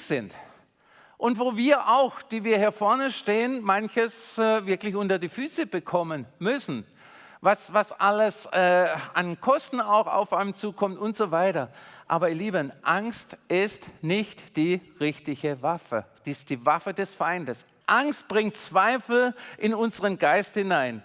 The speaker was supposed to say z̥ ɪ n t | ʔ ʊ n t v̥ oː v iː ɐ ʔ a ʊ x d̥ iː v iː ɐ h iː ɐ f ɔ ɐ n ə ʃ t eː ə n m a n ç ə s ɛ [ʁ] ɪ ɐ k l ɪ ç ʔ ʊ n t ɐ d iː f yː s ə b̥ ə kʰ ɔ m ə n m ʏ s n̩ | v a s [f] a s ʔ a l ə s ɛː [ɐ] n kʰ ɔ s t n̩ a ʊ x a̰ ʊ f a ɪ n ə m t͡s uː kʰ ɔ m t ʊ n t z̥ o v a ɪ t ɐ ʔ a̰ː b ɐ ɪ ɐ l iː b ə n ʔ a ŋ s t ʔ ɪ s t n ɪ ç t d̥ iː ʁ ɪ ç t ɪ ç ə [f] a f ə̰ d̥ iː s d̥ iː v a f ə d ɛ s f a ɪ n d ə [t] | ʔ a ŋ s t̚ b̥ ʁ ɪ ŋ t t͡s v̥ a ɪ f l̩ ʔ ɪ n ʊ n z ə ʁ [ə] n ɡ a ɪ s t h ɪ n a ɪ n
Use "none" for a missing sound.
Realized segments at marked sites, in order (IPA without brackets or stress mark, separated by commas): v, v, a, v, s, ə